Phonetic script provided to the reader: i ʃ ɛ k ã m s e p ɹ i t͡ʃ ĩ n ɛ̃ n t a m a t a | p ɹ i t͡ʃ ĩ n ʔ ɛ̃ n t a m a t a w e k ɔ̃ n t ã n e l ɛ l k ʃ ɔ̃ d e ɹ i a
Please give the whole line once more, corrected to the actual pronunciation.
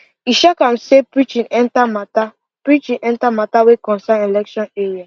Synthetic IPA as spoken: i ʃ a k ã m s e p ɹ i t͡ʃ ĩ n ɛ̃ n t a m a t a | p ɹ i t͡ʃ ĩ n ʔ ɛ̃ n t a m a t a w e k ɔ̃ n s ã n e l ɛ k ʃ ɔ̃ n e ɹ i a